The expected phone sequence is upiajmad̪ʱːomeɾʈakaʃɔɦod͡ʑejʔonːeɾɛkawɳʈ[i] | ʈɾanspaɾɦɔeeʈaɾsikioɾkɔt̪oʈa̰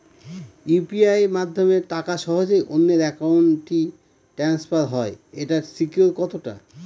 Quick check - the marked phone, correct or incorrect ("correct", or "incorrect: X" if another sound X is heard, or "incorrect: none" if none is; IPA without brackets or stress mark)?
correct